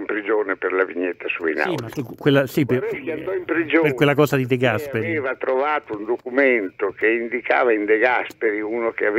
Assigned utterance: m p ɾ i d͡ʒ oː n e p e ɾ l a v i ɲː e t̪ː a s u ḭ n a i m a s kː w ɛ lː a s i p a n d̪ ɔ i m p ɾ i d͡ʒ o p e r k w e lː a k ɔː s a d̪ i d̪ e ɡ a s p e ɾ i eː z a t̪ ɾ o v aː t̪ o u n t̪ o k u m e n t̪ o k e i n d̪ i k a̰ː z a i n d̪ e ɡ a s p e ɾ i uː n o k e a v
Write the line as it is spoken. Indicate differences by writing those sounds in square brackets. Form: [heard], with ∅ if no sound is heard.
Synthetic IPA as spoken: m p ɾ i d͡ʒ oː n e p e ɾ l a v i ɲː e t̪ː a s u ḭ n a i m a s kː w [e] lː a s i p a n d̪ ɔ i m p ɾ i d͡ʒ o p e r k w e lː a k ɔː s a d̪ i d̪ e ɡ a s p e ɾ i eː [v] a t̪ ɾ o v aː t̪ o u n [d̪] o k u m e n t̪ o k e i n d̪ i k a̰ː [v] a i n d̪ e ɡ a s p e ɾ i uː n o k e a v

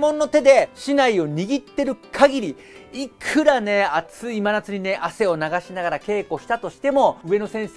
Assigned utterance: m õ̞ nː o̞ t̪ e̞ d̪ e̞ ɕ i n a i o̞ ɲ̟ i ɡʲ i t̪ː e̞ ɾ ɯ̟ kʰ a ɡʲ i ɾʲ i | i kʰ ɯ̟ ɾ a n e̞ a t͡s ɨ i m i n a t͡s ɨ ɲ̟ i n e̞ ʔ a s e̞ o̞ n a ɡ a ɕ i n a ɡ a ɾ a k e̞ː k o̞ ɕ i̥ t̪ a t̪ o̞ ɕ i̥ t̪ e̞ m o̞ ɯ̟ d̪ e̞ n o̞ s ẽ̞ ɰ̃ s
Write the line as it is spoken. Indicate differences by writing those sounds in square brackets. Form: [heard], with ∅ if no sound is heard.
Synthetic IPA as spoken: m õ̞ nː o̞ t̪ e̞ d̪ e̞ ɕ i n a i o̞ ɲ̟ i ɡʲ i t̪ː e̞ ɾ ɯ̟ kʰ a ɡʲ i ɾʲ i | i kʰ ɯ̟ ɾ a n e̞ a t͡s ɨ i m [a] n a t͡s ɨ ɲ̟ i n e̞ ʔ a s e̞ o̞ n a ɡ a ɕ i n a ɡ a ɾ a k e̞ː k o̞ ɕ i̥ t̪ a t̪ o̞ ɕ i̥ t̪ e̞ m o̞ ɯ̟ [∅] e̞ n o̞ s ẽ̞ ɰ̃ s

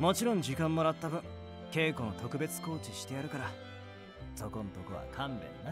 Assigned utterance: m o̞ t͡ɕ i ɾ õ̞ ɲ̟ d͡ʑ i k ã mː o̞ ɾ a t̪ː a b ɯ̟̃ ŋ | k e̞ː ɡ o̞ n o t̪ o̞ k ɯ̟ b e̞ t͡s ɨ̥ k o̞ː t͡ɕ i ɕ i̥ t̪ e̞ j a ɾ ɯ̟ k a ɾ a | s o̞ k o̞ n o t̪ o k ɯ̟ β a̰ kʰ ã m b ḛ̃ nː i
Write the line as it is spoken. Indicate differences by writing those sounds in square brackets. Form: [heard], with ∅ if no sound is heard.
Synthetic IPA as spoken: m o̞ t͡ɕ i ɾ õ̞ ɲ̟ d͡ʑ i k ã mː o̞ ɾ a t̪ː a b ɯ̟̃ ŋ | k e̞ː [k] o̞ n o t̪ o̞ k ɯ̟ b e̞ t͡s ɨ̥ k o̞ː t͡ɕ i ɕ i̥ t̪ e̞ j a ɾ ɯ̟ k a ɾ a | s o̞ k o̞ n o t̪ o k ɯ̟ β a̰ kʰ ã m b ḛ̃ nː [a]

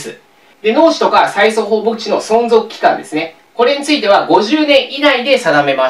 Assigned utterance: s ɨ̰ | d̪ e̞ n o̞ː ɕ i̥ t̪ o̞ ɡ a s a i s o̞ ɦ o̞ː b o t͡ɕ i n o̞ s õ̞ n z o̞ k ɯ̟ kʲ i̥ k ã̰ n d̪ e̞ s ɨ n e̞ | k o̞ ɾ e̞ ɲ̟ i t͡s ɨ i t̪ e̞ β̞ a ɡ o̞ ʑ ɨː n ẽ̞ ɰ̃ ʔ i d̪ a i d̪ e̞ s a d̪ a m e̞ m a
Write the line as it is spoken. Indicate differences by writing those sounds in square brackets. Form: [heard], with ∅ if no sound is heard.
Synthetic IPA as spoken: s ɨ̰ | d̪ e̞ n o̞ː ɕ i̥ t̪ o̞ [k] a s a i s o̞ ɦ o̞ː b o t͡ɕ i n o̞ s õ̞ n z o̞ k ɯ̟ kʲ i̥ k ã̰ n d̪ e̞ s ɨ n e̞ | k o̞ ɾ e̞ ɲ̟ i t͡s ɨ i t̪ e̞ β̞ a ɡ o̞ ʑ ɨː n ẽ̞ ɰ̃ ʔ i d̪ a i d̪ e̞ s a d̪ a m e̞ m a

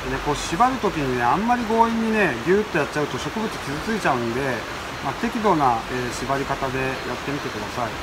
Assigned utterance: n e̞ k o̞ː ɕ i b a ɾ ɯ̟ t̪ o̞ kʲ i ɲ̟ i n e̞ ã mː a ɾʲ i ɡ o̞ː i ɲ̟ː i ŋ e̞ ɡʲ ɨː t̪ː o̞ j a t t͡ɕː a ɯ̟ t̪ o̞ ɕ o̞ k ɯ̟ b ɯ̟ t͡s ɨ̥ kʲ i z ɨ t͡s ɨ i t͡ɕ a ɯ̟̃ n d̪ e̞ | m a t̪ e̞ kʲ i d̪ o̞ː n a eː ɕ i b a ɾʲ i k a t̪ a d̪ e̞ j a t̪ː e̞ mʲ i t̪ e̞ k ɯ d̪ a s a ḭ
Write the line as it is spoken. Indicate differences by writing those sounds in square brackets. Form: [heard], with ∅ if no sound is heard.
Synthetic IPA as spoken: n e̞ k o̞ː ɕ i b a ɾ ɯ̟ t̪ o̞ kʲ i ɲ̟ i n e̞ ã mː a ɾʲ i ɡ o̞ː i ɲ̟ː i [n] e̞ ɡʲ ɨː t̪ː o̞ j a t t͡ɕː a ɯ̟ t̪ o̞ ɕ o̞ k ɯ̟ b ɯ̟ t͡s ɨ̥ kʲ i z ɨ t͡s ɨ i t͡ɕ a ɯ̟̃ n d̪ e̞ | m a t̪ e̞ kʲ i d̪ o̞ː n a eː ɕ i b a ɾʲ i k a t̪ a d̪ e̞ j a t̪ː e̞ mʲ i t̪ e̞ k ɯ d̪ a s a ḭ

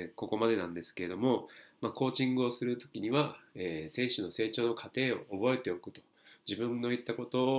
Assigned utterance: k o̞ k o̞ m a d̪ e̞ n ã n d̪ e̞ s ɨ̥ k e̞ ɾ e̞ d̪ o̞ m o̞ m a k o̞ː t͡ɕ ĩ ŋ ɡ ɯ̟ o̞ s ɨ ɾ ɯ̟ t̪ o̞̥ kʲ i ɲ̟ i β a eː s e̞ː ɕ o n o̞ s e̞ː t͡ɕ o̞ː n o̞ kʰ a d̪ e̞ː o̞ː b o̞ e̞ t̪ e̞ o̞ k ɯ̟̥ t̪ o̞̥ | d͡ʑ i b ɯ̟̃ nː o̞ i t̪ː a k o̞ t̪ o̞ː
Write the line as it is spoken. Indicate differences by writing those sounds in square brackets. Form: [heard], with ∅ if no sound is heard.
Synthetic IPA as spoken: k o̞ k o̞ m a d̪ e̞ n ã n d̪ e̞ s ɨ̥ k e̞ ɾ e̞ d̪ o̞ m o̞ m a k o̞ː t͡ɕ ĩ ŋ ɡ ɯ̟ o̞ s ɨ ɾ ɯ̟ t̪ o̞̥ kʲ i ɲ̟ i β a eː s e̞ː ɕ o n o̞ s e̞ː t͡ɕ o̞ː n o̞ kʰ a [t̪] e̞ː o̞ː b o̞ e̞ t̪ e̞ o̞ k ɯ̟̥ t̪ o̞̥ | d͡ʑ i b ɯ̟̃ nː o̞ i t̪ː a k o̞ t̪ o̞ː

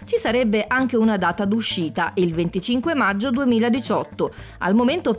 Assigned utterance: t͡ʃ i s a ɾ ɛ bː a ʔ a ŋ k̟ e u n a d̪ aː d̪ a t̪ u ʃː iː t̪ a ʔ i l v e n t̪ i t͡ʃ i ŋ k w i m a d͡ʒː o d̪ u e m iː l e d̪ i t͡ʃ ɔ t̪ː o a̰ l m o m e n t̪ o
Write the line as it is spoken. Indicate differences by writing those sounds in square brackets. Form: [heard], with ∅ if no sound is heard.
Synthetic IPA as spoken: t͡ʃ i s a ɾ ɛ bː [e] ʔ a ŋ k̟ e u n a d̪ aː [t̪] a [d̪] u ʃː iː t̪ a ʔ i l v e n t̪ i t͡ʃ i ŋ k w [e] m a d͡ʒː o d̪ u e m iː l [a] d̪ i t͡ʃ ɔ t̪ː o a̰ l m o m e n t̪ o

